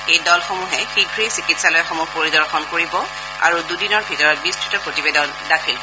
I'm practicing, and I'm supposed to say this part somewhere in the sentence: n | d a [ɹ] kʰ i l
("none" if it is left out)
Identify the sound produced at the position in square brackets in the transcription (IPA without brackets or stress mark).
none